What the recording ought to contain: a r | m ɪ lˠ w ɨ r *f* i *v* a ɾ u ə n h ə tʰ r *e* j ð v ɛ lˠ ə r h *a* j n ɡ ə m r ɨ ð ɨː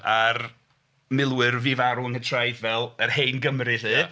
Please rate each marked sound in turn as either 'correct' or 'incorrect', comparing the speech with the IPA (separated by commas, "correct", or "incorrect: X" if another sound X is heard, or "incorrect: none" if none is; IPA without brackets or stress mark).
incorrect: v, correct, incorrect: a, incorrect: e